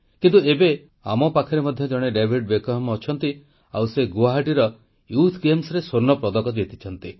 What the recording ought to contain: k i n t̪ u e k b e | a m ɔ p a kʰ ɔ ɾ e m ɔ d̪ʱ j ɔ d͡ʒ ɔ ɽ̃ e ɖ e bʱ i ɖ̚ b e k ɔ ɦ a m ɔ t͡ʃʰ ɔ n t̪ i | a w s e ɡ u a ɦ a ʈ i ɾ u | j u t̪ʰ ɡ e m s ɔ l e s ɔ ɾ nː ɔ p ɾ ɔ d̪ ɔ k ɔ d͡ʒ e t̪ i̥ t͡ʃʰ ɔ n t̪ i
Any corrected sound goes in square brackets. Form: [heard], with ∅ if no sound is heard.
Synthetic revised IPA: k i n t̪ u e [∅] b e | a m ɔ p a kʰ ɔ ɾ e m ɔ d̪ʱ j ɔ d͡ʒ ɔ ɽ̃ e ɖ e bʱ i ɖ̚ b e k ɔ ɦ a m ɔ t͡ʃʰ ɔ n t̪ i | a w s e ɡ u a ɦ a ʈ i ɾ [ɔ] | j u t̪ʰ ɡ e m s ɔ [ɾ] e s [o] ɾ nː ɔ p ɾ ɔ d̪ ɔ k ɔ d͡ʒ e t̪ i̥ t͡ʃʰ ɔ n t̪ i